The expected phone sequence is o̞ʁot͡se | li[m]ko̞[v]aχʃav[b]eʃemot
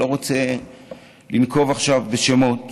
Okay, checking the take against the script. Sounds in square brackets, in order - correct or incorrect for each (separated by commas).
incorrect, correct, correct